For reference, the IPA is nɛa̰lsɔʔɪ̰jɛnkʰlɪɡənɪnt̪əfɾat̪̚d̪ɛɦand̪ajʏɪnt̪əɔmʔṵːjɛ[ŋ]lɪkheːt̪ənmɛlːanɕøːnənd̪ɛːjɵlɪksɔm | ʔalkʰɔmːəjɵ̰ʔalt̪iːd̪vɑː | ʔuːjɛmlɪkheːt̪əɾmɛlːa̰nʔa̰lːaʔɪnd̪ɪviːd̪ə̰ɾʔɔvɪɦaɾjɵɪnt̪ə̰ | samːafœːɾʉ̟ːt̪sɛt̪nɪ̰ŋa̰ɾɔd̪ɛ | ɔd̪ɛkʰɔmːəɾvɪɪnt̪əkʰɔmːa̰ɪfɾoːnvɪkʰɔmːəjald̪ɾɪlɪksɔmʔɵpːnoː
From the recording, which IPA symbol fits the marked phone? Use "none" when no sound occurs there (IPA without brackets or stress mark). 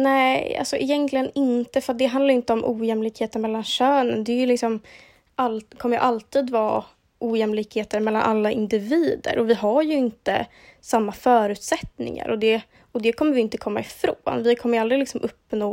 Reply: m